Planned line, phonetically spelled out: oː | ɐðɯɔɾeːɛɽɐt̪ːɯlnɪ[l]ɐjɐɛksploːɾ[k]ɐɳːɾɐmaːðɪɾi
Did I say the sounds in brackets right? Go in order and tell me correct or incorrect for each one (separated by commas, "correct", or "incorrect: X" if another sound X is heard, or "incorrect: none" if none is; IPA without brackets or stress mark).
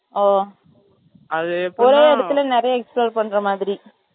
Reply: incorrect: ɾ, incorrect: p